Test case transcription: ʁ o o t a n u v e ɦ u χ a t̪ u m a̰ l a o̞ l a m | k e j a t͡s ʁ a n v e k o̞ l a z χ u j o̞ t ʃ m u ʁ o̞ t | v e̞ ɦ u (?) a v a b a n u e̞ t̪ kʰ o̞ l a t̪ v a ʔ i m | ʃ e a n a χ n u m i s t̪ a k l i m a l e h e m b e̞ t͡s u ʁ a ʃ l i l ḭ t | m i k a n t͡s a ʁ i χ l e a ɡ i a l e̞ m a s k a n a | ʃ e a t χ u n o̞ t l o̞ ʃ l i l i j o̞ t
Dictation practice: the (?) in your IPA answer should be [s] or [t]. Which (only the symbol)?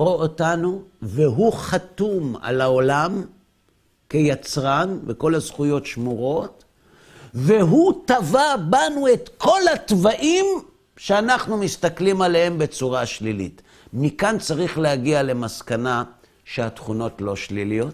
t